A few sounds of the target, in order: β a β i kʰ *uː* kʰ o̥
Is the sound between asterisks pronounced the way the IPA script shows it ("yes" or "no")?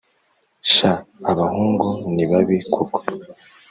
no